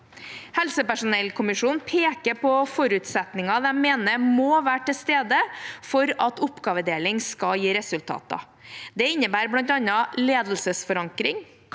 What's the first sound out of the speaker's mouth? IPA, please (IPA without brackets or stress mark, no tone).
h